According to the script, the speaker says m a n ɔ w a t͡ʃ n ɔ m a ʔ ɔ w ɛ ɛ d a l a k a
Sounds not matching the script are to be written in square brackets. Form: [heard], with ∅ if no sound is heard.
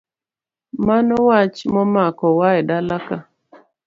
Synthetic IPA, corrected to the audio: m a n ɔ w a t͡ʃ [m] ɔ m a [k] ɔ w [a] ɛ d a l a k a